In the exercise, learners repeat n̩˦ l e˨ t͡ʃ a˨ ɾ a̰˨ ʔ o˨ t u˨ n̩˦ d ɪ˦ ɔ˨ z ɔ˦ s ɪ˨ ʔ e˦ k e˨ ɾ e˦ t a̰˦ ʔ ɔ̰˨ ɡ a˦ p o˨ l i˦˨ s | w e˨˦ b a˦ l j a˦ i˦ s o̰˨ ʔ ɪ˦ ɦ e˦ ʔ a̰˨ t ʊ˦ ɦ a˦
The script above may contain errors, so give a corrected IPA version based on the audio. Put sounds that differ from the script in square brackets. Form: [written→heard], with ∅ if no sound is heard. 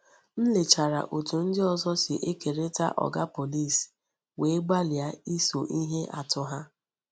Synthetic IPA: n̩˦ l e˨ t͡ʃ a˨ ɾ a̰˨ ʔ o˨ t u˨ n̩˦ d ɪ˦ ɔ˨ z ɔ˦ s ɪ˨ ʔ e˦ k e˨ ɾ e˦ t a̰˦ ʔ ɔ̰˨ ɡ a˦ p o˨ l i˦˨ s | w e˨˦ [b→ɡ͡b] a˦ l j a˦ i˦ s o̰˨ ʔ [ɪ˦→i˦] ɦ e˦ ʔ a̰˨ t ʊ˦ ɦ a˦